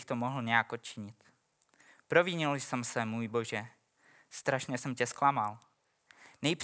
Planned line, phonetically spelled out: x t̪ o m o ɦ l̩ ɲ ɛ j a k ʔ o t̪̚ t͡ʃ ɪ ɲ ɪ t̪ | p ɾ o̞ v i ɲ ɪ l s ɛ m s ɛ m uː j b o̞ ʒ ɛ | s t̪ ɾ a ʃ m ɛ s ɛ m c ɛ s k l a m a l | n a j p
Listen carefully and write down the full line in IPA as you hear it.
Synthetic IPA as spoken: x t̪ o m o ɦ l̩ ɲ ɛ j a k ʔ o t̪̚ t͡ʃ ɪ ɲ ɪ t̪ | p ɾ o̞ v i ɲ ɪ l s ɛ m s ɛ m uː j b o̞ ʒ ɛ | s t̪ ɾ a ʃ ɲ ɛ s ɛ m c ɛ s k l a m a l | n ɛ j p